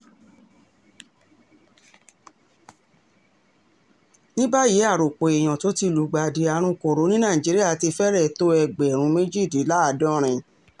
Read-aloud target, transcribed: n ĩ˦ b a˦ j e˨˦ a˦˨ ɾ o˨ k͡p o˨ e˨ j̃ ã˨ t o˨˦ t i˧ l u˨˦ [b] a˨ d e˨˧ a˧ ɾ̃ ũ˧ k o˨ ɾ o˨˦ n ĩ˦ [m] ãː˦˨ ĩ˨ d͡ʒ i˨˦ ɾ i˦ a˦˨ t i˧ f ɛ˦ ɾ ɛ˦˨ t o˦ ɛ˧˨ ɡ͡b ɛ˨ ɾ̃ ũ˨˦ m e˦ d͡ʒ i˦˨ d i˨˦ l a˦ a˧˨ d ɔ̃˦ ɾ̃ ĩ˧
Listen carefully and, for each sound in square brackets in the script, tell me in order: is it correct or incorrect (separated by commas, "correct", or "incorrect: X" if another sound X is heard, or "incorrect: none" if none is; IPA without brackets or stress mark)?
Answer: incorrect: ɡ͡b, incorrect: n